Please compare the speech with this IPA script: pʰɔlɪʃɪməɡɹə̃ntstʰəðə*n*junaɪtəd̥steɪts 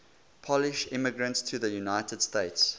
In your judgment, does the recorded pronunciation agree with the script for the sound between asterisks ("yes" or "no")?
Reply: no